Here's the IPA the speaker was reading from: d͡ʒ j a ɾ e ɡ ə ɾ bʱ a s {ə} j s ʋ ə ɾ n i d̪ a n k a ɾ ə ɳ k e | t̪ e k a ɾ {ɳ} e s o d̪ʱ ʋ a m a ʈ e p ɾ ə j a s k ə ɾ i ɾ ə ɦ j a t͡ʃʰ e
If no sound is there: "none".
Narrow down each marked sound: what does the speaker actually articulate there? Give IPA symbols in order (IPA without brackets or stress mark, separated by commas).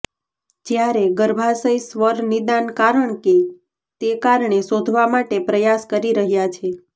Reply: ə, ɳ